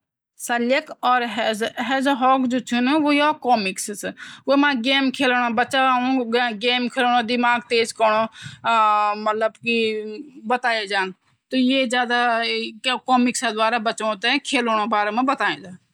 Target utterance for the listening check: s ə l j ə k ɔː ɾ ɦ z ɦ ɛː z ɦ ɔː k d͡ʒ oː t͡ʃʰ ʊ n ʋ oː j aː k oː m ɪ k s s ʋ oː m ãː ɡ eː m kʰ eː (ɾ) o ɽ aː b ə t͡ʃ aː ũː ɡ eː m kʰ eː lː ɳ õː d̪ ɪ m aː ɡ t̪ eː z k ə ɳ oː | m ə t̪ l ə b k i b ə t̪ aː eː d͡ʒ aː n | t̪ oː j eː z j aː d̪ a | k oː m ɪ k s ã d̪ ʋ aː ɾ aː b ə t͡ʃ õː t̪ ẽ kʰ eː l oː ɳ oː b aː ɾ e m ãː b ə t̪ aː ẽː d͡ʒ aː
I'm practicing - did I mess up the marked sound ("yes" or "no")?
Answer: yes